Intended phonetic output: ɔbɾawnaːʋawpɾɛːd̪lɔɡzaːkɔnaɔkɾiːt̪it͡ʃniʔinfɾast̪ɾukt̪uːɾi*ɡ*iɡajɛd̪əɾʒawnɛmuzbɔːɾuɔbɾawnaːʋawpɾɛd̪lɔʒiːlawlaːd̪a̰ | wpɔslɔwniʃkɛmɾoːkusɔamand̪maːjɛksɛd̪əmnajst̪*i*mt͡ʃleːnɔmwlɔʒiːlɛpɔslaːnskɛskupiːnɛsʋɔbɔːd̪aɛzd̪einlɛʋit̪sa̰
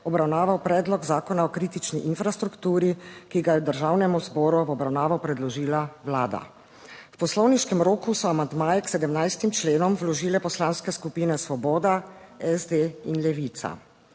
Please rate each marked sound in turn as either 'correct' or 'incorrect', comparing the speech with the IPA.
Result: incorrect, correct

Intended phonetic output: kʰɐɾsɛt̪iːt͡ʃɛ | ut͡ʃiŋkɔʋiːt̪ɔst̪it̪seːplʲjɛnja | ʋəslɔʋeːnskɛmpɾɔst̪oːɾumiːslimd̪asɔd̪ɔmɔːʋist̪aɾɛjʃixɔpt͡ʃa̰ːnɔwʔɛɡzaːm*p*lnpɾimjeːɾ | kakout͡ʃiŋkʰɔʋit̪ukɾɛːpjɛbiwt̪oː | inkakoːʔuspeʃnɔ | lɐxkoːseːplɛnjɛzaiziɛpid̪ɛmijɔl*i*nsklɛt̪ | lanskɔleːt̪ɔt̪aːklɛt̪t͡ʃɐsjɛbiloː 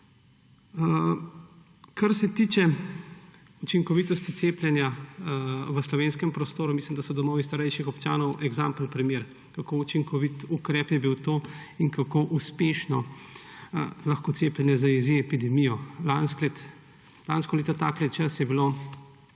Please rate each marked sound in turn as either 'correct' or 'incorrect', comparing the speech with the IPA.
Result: correct, incorrect

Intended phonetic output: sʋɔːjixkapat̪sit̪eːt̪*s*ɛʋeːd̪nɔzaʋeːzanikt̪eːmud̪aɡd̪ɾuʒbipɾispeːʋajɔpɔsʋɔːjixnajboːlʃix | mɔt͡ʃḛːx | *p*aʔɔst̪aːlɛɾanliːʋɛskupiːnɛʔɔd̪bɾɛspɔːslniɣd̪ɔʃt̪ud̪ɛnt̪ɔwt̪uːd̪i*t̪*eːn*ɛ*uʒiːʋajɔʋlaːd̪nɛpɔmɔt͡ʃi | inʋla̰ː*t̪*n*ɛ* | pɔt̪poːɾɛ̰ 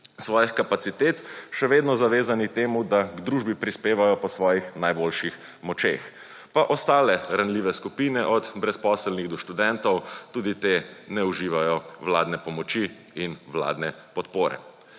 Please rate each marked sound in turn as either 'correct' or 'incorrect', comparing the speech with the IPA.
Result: incorrect, correct, correct, correct, incorrect, correct

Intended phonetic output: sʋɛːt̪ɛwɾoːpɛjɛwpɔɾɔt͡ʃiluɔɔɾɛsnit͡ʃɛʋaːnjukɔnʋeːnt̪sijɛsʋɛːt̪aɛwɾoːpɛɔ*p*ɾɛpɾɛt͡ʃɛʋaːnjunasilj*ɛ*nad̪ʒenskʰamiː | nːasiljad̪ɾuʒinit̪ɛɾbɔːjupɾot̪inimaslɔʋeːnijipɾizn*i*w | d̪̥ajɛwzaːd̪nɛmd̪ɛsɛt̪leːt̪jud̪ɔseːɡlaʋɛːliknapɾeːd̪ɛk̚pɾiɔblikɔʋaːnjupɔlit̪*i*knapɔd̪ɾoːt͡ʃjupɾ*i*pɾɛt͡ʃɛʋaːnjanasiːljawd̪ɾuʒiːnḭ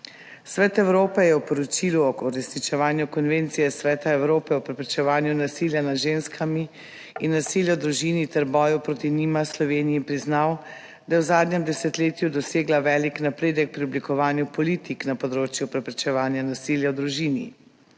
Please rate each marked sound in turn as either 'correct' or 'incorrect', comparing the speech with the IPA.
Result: correct, incorrect, incorrect, correct, incorrect

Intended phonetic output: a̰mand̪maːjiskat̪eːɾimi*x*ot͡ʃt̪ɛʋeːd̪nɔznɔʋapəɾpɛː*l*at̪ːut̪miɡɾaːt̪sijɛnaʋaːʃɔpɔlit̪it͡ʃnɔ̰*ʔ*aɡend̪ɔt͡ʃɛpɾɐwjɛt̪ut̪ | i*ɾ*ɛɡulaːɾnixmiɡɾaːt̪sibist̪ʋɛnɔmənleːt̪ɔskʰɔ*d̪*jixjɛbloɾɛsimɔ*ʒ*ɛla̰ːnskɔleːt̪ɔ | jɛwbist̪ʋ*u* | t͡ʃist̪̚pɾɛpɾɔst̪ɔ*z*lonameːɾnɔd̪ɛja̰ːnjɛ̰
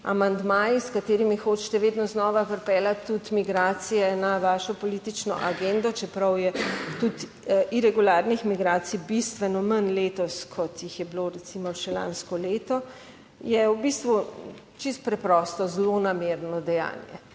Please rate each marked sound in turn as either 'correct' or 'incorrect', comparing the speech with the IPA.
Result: correct, correct, correct, correct, incorrect, incorrect, correct, correct

